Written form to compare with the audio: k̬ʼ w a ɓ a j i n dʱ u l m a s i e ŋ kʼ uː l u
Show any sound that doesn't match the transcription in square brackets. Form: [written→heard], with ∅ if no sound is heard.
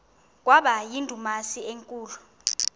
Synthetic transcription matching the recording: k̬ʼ w a ɓ a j i n dʱ u [l→∅] m a s i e ŋ kʼ uː l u